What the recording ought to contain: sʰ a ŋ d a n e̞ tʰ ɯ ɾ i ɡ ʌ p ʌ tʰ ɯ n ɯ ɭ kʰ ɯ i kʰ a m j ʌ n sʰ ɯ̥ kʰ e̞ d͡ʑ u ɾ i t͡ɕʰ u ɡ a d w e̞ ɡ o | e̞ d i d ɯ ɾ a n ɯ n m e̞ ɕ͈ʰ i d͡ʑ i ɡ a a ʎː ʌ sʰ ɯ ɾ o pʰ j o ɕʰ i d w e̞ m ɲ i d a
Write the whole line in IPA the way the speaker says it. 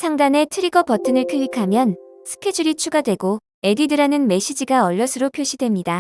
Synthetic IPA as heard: sʰ a ŋ d a n e̞ tʰ ɯ ɾ i ɡ ʌ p ʌ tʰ ɯ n ɯ ɭ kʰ ɯ i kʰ a m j ʌ n sʰ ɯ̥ kʰ e̞ d͡ʑ u ɾ i t͡ɕʰ u ɡ a d w e̞ ɡ o | e̞ d i d ɯ ɾ a n ɯ n m e̞ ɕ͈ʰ i d͡ʑ i ɡ a ʌ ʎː ʌ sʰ ɯ ɾ o pʰ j o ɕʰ i d w e̞ m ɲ i d a